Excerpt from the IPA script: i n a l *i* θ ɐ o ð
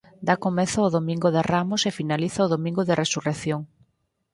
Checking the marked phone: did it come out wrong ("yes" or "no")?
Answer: no